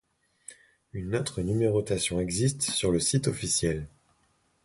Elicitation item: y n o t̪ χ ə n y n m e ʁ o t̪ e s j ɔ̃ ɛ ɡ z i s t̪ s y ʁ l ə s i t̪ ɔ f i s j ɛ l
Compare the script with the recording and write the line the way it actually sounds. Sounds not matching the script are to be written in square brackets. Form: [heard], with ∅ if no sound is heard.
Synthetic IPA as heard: y n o t̪ χ ə n y [∅] m e ʁ o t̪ [a] s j ɔ̃ ɛ ɡ z i s t̪ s y ʁ l ə s i t̪ ɔ f i s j ɛ l